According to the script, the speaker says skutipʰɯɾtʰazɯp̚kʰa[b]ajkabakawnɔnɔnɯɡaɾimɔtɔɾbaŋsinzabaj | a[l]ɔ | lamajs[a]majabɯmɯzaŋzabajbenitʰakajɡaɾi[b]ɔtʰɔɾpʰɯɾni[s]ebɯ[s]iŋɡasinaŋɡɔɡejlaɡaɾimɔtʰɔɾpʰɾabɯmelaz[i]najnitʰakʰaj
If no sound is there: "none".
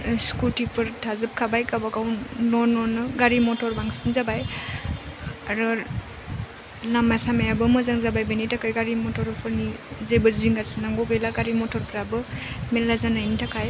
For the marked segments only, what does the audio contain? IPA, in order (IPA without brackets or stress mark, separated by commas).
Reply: b, ɾ, a, m, z, z, a